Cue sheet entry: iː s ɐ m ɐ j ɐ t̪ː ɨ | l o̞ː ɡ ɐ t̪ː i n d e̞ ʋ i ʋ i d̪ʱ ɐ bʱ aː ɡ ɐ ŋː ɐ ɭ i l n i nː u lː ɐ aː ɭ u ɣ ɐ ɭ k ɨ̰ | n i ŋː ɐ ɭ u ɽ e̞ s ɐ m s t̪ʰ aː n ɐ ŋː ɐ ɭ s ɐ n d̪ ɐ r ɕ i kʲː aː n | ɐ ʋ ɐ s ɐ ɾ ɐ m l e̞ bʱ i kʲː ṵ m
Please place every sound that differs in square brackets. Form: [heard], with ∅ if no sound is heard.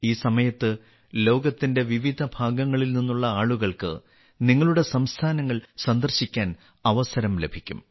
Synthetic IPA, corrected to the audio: iː s ɐ m ɐ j ɐ t̪ː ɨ | l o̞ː ɡ ɐ t̪ː i n d e̞ ʋ i ʋ i d̪ʱ ɐ bʱ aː ɡ ɐ ŋː ɐ ɭ i l n i nː u [ɭː] ɐ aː ɭ u ɣ ɐ ɭ k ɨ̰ | n i ŋː ɐ ɭ u ɽ e̞ s ɐ m s t̪ʰ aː n ɐ ŋː ɐ ɭ s ɐ n d̪ ɐ r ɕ i kʲː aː n | ɐ ʋ ɐ s ɐ ɾ ɐ m l e̞ bʱ i kʲː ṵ m

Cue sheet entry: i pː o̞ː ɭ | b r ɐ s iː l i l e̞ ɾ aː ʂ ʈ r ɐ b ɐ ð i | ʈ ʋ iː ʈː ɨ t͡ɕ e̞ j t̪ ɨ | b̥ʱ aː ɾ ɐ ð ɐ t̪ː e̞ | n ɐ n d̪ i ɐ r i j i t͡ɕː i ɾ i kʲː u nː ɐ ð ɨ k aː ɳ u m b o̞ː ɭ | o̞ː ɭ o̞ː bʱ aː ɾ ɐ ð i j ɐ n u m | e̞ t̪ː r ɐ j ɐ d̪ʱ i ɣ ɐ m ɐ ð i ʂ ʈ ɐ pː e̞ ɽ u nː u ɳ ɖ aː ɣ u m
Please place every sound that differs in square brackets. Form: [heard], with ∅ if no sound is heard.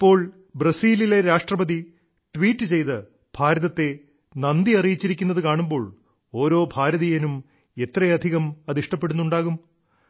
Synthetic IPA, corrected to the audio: i pː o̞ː ɭ | b r ɐ s iː l i l e̞ ɾ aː ʂ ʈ r ɐ b ɐ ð i | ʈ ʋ iː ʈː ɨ t͡ɕ e̞ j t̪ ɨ | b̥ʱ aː ɾ ɐ ð ɐ t̪ː e̞ | n ɐ n d̪ i ɐ r i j i t͡ɕː i ɾ i kʲː u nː ɐ ð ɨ k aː ɳ u m b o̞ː ɭ | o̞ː [ɾ] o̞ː bʱ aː ɾ ɐ ð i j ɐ n u m | e̞ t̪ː r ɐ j ɐ d̪ʱ i ɣ ɐ m ɐ ð i ʂ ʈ ɐ pː e̞ ɽ u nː u ɳ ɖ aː ɣ u m

